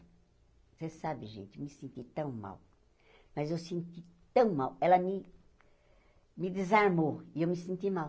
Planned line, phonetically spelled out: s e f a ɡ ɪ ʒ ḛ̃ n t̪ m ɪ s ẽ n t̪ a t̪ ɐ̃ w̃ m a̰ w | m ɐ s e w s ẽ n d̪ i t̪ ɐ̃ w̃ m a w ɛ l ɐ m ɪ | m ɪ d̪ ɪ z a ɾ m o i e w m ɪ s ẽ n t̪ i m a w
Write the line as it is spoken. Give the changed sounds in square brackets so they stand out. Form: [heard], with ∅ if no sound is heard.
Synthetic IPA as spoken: s e [s] a [b] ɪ ʒ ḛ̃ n t̪ m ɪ s ẽ n t̪ [i] t̪ ɐ̃ w̃ m a̰ w | m ɐ [z] e w s ẽ n [t̪] i t̪ ɐ̃ w̃ m a w ɛ l ɐ m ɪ | m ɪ d̪ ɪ z a ɾ m o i e w m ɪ s ẽ n t̪ i m a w